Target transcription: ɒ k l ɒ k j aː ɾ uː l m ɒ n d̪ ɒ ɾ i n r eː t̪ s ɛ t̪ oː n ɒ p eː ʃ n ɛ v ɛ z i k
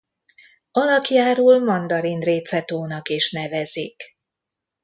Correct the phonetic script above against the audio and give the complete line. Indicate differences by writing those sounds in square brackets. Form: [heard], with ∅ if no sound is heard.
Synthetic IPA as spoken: ɒ [∅] l ɒ k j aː ɾ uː l m ɒ n d̪ ɒ ɾ i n r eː t̪ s ɛ t̪ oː n ɒ [k] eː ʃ n ɛ v ɛ z i k

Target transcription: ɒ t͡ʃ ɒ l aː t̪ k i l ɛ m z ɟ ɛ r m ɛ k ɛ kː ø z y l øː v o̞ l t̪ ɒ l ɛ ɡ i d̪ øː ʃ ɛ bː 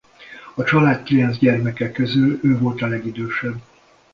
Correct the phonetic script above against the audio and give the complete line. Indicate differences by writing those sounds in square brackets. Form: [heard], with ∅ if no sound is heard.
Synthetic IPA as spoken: ɒ t͡ʃ ɒ l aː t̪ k i l ɛ [n] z ɟ ɛ r m ɛ k ɛ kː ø z y l øː v o̞ l t̪ ɒ l ɛ ɡ i d̪ øː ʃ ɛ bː

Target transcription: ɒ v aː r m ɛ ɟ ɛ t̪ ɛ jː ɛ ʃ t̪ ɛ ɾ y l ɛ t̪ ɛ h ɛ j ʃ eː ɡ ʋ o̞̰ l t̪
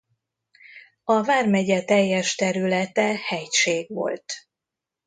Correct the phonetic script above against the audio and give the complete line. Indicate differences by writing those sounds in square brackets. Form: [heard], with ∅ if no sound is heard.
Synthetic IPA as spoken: ɒ v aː r m ɛ ɟ ɛ t̪ ɛ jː ɛ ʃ t̪ ɛ ɾ y l ɛ t̪ ɛ h ɛ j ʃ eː ɡ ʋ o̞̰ l t̪

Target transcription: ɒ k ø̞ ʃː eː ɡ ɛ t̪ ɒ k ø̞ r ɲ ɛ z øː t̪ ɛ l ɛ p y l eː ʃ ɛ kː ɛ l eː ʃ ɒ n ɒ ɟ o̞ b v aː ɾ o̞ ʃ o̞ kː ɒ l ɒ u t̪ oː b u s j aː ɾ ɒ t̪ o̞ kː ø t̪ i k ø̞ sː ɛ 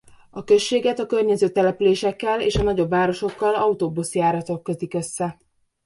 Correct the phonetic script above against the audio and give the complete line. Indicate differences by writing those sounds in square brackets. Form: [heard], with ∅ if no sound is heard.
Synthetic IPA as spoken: ɒ k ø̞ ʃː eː ɡ ɛ t̪ ɒ k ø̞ r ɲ ɛ z øː t̪ ɛ l ɛ p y l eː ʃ ɛ kː ɛ l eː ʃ ɒ n ɒ ɟ o̞ b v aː ɾ o̞ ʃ o̞ kː ɒ l ɒ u t̪ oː b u s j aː ɾ ɒ t̪ o̞ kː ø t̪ i k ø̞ sː ɛ

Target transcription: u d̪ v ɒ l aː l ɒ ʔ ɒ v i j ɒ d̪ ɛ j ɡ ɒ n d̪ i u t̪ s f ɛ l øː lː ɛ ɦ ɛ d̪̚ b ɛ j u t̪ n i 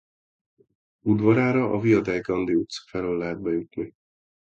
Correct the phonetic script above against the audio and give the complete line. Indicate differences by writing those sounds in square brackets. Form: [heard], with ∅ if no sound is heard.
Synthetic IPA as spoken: u d̪ v ɒ [ɾ] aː [ɾ] ɒ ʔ ɒ v i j ɒ d̪ ɛ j ɡ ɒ n d̪ i u t̪ s f ɛ l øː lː ɛ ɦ ɛ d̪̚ b ɛ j u t̪ n i

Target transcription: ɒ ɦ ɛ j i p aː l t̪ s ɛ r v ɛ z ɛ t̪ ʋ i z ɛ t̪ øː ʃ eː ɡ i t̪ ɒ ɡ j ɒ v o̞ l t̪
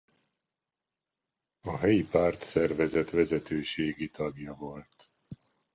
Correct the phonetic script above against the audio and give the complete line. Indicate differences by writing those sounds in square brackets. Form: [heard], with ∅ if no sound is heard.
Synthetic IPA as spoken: ɒ ɦ ɛ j i p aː [r] t̪ s ɛ r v ɛ z ɛ t̪ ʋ [ɛ] z ɛ t̪ øː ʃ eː ɡ i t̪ ɒ ɡ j ɒ v o̞ l t̪

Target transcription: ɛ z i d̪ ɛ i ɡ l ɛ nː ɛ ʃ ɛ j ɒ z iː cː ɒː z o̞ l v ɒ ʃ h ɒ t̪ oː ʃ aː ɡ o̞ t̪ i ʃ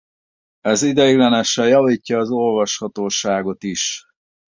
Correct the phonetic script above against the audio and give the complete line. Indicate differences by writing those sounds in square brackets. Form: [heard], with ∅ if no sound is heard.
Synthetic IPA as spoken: ɛ z i d̪ ɛ i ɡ l ɛ [n] ɛ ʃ ɛ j ɒ [v] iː cː ɒː z o̞ l v ɒ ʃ h ɒ t̪ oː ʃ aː ɡ o̞ t̪ i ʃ

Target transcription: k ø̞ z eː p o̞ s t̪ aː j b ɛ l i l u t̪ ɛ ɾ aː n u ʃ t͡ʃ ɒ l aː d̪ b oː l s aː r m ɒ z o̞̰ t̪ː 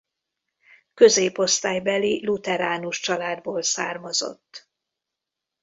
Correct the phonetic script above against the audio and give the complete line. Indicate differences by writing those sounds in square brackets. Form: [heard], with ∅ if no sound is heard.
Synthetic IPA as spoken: k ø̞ z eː p o̞ s t̪ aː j b ɛ l i l u t̪ ɛ ɾ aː n u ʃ t͡ʃ ɒ l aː d̪ b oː l s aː r m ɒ z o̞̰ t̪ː

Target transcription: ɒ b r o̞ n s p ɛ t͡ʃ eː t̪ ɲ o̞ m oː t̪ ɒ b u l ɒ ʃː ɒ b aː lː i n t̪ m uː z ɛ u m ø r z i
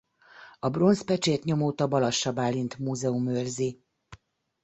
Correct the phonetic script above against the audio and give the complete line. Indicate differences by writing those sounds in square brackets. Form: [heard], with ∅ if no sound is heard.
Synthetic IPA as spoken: ɒ b r o̞ n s p ɛ t͡ʃ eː t̪ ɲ o̞ m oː t̪ ɒ b [ɒ] l ɒ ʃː ɒ b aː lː i n t̪ m uː z ɛ u m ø r z i

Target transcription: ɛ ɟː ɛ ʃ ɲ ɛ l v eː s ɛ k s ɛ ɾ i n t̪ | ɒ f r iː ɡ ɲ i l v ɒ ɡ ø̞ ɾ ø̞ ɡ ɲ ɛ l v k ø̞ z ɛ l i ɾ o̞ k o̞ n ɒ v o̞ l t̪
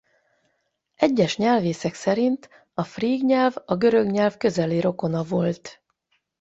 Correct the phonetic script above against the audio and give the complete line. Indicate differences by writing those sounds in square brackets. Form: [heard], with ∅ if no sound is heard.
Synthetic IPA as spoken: ɛ ɟː ɛ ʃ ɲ ɛ l v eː s ɛ k s ɛ ɾ i n t̪ | ɒ f r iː ɡ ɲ [ɛ] l v ɒ ɡ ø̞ ɾ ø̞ ɡ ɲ ɛ l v k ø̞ z ɛ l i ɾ o̞ k o̞ n ɒ v o̞ l t̪

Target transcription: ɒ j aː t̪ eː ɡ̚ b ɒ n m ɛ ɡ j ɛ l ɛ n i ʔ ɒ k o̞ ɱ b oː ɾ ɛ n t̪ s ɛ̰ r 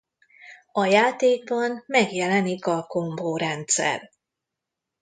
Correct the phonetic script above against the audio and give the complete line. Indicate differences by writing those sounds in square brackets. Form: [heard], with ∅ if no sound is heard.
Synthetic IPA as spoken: ɒ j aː t̪ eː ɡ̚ b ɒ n m ɛ ɡ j ɛ l ɛ n i [k] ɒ k o̞ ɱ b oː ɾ ɛ n t̪ s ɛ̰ r

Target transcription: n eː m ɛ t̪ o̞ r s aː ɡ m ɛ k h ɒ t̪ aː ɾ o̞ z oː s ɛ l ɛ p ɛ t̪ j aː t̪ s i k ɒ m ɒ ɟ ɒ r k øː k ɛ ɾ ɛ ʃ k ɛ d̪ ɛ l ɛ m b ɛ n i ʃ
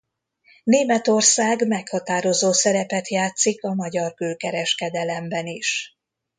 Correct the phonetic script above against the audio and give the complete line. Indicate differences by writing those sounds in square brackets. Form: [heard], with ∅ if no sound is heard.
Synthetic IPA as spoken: n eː m ɛ t̪ o̞ r s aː ɡ m ɛ k h ɒ t̪ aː ɾ o̞ z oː s ɛ [ɾ] ɛ p ɛ t̪ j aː t̪ s i k ɒ m ɒ ɟ ɒ r k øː k ɛ ɾ ɛ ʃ k ɛ d̪ ɛ l ɛ m b ɛ n i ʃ

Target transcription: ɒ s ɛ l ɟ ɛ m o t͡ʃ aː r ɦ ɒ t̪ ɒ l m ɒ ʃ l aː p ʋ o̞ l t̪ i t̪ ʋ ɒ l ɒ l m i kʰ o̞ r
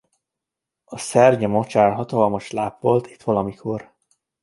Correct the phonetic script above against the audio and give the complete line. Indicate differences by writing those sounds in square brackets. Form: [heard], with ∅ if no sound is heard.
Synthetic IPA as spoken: ɒ s ɛ [r] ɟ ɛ m o t͡ʃ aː r ɦ ɒ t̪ ɒ l m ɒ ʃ l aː p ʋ o̞ l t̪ i t̪ ʋ ɒ l ɒ [∅] m i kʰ o̞ r

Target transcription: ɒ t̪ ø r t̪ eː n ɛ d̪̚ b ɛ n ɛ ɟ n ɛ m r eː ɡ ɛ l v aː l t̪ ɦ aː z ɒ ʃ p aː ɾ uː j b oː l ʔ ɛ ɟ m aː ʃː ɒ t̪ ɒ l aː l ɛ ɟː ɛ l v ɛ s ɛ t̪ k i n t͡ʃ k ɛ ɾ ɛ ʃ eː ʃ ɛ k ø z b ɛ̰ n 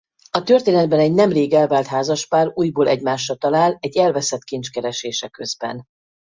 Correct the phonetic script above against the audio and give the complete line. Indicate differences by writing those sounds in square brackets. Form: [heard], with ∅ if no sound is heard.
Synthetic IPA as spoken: ɒ t̪ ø r t̪ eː n ɛ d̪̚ b ɛ n ɛ ɟ n ɛ m r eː ɡ ɛ l v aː l t̪ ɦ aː z ɒ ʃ p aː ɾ uː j b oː l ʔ ɛ ɟ m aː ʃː ɒ t̪ ɒ l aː l ɛ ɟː ɛ l v ɛ s ɛ t̪ k i n t͡ʃ k ɛ ɾ ɛ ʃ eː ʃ ɛ k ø z b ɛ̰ n

